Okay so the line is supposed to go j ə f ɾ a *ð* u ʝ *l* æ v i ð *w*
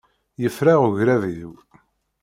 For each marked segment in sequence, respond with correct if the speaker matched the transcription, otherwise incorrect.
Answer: incorrect, incorrect, correct

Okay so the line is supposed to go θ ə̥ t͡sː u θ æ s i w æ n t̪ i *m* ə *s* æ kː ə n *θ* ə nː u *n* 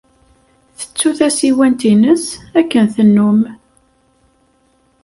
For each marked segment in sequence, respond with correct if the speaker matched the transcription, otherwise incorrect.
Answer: incorrect, correct, correct, incorrect

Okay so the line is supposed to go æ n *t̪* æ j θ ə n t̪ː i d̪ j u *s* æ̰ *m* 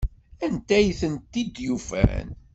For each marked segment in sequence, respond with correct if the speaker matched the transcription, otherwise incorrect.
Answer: correct, incorrect, incorrect

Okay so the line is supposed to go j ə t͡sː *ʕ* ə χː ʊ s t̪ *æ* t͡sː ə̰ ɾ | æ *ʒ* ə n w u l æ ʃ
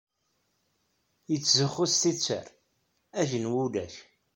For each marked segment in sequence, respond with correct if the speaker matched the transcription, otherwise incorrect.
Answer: incorrect, incorrect, correct

